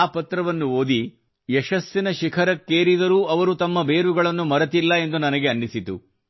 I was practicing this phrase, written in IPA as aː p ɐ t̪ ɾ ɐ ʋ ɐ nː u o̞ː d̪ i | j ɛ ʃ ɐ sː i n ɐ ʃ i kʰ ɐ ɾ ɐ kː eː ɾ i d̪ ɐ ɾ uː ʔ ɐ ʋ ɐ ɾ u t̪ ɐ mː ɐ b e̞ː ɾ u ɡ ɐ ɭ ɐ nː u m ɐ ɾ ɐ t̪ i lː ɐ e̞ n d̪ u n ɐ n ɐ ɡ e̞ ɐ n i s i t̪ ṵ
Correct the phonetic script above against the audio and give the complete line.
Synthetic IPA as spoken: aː p ɐ t̪ ɾ ɐ ʋ ɐ nː u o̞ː d̪ i | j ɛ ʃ ɐ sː i n ɐ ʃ i kʰ ɐ ɾ ɐ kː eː ɾ i d̪ ɐ ɾ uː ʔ ɐ ʋ ɐ ɾ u t̪ ɐ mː ɐ b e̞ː ɾ u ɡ ɐ ɭ ɐ nː u m ɐ ɾ ɐ t̪ i lː ɐ e̞ n d̪ u n ɐ n ɐ ɡ e̞ ɐ nː i s i t̪ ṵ